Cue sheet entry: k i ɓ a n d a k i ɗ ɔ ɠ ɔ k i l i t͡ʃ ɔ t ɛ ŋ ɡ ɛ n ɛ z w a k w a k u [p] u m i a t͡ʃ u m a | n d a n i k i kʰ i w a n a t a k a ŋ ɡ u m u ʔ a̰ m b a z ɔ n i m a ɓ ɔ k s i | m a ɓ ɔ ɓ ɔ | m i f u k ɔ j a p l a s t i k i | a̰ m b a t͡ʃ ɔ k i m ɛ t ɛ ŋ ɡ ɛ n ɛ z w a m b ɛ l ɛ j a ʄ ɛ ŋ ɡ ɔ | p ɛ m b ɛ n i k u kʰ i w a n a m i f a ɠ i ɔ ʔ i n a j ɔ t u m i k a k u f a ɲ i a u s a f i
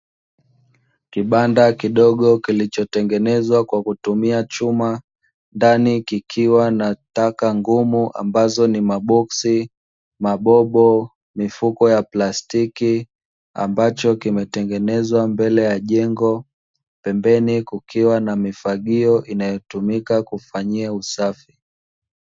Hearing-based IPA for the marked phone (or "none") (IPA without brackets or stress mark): t